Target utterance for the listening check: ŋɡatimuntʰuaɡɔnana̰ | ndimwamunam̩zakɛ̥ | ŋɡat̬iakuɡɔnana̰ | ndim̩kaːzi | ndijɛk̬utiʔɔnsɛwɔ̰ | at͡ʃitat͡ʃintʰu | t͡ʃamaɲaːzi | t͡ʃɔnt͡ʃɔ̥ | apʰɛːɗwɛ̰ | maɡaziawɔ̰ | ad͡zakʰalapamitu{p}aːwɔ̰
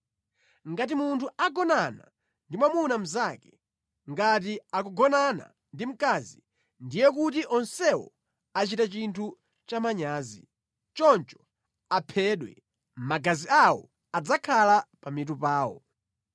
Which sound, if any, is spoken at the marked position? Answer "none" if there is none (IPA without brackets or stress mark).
p